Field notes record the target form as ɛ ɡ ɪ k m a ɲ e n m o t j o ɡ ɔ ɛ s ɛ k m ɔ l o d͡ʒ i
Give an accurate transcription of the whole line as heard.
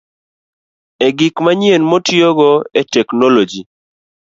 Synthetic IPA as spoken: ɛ ɡ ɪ k m a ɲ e n m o t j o ɡ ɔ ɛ t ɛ k n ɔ l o d͡ʒ i

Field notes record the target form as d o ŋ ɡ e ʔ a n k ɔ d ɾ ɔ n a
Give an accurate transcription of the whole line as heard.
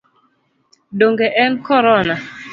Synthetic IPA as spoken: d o ŋ ɡ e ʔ ɛ n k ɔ ɾ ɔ n a

